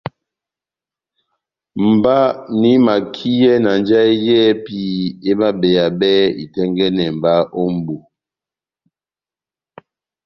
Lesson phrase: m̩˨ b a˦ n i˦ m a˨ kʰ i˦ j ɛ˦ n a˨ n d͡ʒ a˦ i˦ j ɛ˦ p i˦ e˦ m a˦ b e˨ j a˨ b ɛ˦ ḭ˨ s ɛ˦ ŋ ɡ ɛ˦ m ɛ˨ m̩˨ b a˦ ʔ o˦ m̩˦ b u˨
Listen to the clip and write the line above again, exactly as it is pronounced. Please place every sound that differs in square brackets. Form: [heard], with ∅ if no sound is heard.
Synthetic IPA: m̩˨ b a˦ n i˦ m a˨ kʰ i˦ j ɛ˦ n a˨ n d͡ʒ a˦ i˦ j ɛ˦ p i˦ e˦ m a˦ b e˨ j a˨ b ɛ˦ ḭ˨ [t] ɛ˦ ŋ ɡ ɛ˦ [n] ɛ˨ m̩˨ b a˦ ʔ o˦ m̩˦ b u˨